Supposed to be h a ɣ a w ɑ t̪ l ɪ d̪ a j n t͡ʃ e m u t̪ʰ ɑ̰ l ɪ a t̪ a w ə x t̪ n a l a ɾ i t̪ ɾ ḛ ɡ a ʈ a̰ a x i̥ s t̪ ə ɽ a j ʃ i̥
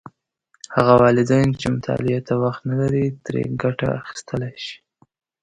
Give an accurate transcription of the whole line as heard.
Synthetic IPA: h a ɣ a w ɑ l ɪ d̪ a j n t͡ʃ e m ʊ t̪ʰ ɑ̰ l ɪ a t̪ a w a x t̪ n a l a ɾ i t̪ ɾ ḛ ɡ a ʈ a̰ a x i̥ s t̪ ə l a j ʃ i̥

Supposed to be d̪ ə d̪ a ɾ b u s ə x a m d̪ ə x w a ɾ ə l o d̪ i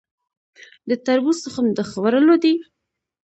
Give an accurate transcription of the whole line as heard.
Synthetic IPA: d̪ ə t̪ a ɾ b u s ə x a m d̪ ə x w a ɾ ə l o d̪ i

